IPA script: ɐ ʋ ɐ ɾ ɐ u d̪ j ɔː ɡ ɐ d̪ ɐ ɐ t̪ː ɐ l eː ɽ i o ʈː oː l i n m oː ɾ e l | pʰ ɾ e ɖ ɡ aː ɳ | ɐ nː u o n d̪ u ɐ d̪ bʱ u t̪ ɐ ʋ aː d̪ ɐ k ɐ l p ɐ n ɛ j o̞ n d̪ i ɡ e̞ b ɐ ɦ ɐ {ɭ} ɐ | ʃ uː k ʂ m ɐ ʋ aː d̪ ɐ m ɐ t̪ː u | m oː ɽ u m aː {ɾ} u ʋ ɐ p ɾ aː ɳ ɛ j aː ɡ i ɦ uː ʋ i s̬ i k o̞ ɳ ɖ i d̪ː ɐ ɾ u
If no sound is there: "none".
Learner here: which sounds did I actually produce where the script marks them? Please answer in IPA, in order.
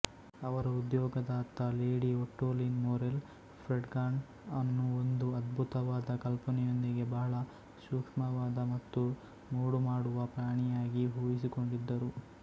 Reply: ɭ, ɽ

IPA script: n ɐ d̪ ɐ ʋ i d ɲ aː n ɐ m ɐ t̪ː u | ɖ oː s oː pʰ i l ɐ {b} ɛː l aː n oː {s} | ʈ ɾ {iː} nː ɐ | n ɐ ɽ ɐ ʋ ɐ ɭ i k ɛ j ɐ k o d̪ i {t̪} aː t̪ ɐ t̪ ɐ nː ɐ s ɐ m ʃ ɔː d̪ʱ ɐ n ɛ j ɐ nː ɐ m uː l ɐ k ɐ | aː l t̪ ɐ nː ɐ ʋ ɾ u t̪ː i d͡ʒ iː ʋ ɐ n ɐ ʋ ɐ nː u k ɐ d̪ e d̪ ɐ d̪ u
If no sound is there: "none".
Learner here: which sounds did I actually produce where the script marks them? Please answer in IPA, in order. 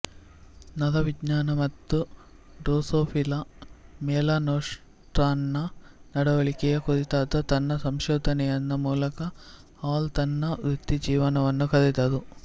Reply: m, ʂ, aː, t̪

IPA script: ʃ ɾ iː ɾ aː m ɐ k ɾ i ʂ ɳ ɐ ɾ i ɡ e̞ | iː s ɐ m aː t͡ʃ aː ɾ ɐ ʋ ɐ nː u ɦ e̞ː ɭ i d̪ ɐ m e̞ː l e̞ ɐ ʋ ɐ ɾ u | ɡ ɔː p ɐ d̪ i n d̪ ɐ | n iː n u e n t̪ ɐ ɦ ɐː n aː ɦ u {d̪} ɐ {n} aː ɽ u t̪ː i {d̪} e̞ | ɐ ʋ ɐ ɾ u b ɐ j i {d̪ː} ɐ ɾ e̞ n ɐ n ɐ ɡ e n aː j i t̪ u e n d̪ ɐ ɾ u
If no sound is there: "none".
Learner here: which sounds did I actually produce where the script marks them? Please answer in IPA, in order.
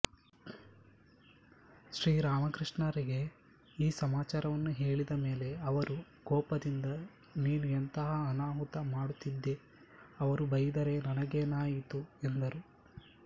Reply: t̪, m, d̪ː, d̪

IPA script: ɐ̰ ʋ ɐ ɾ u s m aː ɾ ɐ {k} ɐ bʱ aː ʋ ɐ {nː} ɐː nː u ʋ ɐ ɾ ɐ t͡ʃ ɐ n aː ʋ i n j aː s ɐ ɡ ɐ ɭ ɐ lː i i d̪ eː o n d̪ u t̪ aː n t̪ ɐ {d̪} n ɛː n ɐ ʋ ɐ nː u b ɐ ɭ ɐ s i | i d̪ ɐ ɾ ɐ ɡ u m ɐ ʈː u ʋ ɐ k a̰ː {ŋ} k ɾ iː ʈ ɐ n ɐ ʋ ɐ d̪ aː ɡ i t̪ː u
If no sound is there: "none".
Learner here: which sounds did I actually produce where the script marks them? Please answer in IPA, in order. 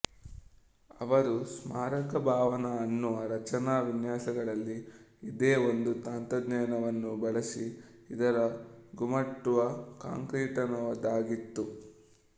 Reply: k, n, d̪, ŋ

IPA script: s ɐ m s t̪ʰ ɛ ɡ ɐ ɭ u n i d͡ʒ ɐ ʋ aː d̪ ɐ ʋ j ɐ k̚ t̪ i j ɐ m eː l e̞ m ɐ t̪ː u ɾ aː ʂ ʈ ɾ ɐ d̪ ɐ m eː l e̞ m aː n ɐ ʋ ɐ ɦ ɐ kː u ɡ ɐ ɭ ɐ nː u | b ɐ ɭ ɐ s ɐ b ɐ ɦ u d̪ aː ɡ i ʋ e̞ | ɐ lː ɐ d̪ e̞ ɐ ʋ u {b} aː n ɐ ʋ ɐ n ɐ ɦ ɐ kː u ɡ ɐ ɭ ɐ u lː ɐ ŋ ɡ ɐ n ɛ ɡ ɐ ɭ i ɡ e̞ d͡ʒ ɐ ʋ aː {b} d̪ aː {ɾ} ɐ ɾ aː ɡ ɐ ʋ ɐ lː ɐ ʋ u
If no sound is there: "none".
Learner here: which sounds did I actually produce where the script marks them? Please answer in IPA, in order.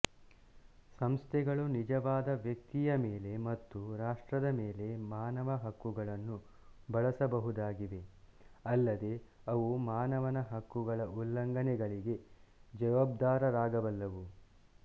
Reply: m, b, ɾ

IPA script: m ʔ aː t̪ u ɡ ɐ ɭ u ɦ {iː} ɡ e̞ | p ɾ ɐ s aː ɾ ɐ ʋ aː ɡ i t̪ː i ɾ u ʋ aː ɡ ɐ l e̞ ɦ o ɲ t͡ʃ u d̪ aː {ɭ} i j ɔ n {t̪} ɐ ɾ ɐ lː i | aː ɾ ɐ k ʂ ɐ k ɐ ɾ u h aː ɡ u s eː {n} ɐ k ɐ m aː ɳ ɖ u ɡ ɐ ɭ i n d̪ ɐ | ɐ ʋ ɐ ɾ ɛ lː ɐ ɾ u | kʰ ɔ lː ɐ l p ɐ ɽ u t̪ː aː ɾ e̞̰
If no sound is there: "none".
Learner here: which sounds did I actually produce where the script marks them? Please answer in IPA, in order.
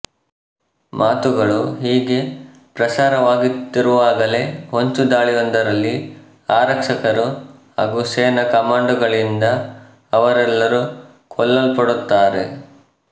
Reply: iː, ɭ, d̪, n

